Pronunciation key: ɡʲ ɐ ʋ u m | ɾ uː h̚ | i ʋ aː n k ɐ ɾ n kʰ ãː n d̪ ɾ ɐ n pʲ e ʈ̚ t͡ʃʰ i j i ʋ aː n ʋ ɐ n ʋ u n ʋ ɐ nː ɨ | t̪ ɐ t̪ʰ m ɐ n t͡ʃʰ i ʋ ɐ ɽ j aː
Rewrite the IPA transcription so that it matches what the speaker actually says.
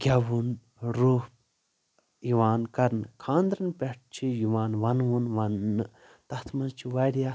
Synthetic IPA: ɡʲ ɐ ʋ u n | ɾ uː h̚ | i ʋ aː n k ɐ ɾ n kʰ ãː n d̪ ɾ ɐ n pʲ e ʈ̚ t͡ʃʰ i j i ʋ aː n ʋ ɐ n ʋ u n ʋ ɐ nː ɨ | t̪ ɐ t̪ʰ m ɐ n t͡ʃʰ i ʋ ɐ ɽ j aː

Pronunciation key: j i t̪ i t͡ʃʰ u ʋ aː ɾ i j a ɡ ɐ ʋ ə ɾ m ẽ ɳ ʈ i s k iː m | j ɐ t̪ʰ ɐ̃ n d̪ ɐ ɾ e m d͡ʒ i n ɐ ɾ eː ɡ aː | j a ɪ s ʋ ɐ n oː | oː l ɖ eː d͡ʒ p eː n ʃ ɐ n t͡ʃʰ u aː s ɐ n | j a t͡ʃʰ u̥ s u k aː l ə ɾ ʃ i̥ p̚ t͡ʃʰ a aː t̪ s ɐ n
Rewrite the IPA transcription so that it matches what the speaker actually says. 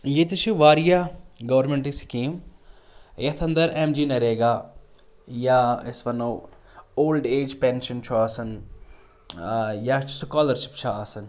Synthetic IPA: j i t̪ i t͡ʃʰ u ʋ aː ɾ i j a ɡ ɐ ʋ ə ɾ m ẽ ɳ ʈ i s k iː m | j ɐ t̪ʰ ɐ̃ n d̪ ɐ ɾ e m d͡ʒ i n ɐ ɾ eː ɡ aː | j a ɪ s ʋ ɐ n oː | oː l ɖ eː d͡ʒ p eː n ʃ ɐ n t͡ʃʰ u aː s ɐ n | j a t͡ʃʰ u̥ s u k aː l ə ɾ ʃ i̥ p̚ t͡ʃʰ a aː s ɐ n

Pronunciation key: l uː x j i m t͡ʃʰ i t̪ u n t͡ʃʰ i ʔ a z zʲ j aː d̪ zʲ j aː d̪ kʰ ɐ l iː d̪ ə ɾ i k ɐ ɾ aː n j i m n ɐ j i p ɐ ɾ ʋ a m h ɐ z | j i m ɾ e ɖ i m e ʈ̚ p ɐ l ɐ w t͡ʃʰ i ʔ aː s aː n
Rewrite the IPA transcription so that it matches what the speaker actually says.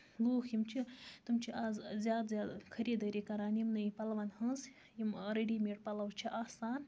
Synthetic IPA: l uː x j i m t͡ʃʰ i t̪ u m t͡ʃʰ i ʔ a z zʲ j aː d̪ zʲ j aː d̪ kʰ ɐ ɾ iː d̪ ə ɾ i k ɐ ɾ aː n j i m n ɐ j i p ɐ l ʋ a n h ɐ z | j i m ɾ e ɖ i m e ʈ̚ p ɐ l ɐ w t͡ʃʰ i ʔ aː s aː n

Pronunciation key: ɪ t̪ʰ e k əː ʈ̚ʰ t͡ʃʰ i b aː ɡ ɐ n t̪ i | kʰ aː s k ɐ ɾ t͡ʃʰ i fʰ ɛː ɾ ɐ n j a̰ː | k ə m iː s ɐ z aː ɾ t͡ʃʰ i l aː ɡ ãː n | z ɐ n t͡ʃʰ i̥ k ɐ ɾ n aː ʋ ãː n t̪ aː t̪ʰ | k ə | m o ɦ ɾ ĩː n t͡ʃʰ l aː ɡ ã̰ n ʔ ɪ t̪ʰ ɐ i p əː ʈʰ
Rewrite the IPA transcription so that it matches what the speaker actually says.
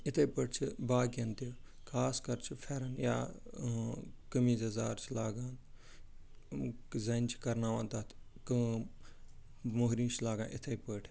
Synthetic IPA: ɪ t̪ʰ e p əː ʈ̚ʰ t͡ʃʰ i b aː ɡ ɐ n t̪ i | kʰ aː s k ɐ ɾ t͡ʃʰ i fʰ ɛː ɾ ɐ n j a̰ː | k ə m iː z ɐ z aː ɾ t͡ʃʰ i l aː ɡ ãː n | z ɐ n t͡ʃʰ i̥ k ɐ ɾ n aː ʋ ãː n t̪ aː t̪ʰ | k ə | m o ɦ ɾ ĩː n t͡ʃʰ l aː ɡ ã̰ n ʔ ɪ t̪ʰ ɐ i p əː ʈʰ

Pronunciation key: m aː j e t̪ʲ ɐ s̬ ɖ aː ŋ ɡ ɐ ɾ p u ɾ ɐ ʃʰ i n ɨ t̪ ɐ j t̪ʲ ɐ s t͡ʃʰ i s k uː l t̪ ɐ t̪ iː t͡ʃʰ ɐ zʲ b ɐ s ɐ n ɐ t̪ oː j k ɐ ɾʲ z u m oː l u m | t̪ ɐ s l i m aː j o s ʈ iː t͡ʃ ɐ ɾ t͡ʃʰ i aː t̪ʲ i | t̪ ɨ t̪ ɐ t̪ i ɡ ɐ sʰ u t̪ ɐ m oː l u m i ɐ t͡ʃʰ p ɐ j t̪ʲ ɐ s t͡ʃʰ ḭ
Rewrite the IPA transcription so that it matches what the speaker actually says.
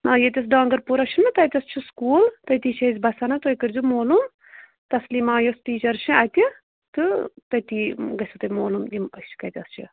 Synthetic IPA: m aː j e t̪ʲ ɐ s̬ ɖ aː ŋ ɡ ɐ ɾ p u ɾ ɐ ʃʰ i n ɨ t̪ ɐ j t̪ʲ ɐ s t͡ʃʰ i s k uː l t̪ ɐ t̪ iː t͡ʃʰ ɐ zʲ b ɐ s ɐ n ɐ t̪ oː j k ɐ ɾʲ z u m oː l u m | t̪ ɐ s l i m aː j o s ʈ iː t͡ʃ ɐ ɾ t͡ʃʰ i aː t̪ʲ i | t̪ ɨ t̪ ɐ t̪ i ɡ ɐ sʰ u t̪ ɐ m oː l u m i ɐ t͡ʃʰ k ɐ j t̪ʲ ɐ s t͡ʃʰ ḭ

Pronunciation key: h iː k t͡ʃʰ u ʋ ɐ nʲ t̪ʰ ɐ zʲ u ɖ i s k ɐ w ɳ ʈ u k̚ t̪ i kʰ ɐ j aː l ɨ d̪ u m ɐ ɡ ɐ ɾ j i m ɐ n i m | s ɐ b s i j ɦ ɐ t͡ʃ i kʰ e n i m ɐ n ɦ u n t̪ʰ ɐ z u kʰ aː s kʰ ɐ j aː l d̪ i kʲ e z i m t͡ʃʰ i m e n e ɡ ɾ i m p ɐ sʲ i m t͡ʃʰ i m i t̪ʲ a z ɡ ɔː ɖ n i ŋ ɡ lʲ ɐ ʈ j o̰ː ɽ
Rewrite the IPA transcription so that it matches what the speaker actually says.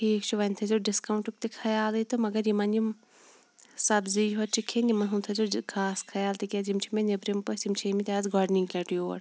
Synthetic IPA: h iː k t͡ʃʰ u ʋ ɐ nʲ t̪ʰ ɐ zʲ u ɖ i s k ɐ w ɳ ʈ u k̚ t̪ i kʰ ɐ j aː l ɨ t̪ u m ɐ ɡ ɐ ɾ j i m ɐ n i m | s ɐ b z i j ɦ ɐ t͡ʃ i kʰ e n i m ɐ n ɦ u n t̪ʰ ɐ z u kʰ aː s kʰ ɐ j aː l t̪ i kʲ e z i m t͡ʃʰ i m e n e b ɾ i m p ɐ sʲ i m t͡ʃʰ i m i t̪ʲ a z ɡ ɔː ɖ n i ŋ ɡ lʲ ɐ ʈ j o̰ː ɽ

